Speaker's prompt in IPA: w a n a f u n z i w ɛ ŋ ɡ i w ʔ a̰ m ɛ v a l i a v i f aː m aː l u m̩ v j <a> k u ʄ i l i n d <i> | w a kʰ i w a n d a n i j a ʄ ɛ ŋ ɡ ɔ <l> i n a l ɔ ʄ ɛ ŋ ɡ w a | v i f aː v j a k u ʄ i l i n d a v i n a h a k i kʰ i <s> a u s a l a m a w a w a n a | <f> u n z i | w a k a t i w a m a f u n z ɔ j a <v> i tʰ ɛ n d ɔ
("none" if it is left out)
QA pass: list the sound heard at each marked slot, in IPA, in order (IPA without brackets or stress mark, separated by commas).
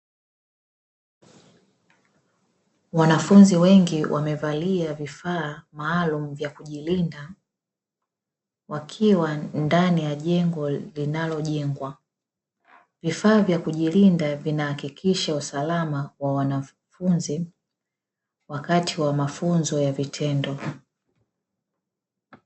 a, a, l, ʃ, f, v